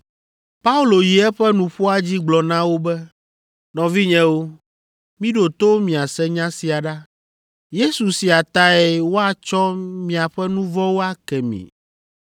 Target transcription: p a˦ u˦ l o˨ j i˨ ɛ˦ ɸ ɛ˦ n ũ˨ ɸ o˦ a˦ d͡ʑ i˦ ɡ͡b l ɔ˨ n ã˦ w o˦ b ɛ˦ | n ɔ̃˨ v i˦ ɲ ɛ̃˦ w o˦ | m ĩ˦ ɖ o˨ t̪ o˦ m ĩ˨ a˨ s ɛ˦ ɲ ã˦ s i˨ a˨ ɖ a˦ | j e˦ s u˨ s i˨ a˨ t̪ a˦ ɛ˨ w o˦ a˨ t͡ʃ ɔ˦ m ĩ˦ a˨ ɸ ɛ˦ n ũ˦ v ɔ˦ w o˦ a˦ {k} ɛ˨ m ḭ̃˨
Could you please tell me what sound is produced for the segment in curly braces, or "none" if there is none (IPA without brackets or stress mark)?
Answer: k